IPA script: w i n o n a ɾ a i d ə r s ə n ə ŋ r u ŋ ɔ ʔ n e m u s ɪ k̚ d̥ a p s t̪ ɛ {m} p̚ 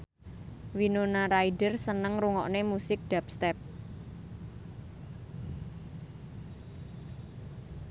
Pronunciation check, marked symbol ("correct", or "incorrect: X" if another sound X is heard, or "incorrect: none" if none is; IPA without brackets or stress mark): incorrect: none